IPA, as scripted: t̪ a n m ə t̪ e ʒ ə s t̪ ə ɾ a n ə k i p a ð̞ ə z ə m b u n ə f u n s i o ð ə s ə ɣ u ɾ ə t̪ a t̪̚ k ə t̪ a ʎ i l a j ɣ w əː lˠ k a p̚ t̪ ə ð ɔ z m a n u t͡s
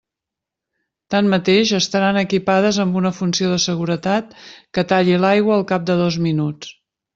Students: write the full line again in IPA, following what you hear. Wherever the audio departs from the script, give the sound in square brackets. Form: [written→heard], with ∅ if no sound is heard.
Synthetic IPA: t̪ a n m ə t̪ e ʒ ə s t̪ ə ɾ a n ə k i p a ð̞ ə z ə m b u n ə f u n s i o ð ə s ə ɣ u ɾ ə t̪ a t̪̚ k ə t̪ a ʎ i l a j ɣ w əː lˠ k a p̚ [t̪→d̪] ə ð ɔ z m [a→i] n u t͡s